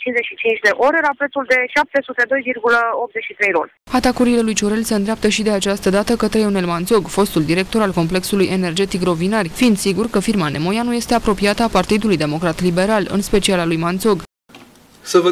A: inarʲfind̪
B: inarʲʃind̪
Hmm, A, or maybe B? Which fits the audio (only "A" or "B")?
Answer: A